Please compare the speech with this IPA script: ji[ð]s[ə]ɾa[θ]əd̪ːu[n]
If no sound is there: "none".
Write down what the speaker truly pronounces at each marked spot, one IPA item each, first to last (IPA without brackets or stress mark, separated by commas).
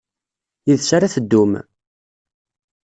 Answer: ð, a, θ, m